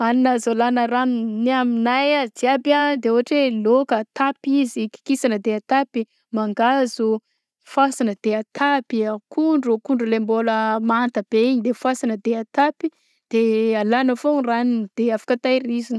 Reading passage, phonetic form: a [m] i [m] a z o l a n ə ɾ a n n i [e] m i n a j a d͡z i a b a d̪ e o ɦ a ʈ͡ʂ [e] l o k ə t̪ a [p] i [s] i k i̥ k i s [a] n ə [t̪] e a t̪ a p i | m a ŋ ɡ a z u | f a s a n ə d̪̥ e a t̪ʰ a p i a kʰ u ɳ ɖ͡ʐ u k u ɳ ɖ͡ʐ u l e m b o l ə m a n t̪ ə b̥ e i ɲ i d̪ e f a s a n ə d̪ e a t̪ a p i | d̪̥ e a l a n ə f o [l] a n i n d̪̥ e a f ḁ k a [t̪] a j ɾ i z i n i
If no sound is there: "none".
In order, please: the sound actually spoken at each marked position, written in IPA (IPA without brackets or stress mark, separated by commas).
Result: n, n, a, e, p, z, a, d̪, r, t̪